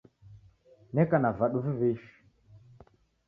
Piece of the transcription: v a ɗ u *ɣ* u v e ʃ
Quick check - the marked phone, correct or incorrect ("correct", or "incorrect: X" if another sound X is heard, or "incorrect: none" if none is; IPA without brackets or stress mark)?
incorrect: v